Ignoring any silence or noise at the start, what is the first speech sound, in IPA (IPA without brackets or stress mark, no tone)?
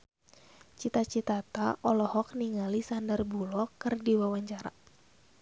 t͡ʃ